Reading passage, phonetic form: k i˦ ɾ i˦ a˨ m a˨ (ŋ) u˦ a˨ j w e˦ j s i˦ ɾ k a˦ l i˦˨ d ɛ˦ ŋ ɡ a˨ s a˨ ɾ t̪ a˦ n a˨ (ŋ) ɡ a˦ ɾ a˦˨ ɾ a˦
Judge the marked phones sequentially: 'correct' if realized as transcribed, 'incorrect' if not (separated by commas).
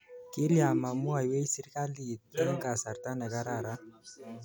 incorrect, incorrect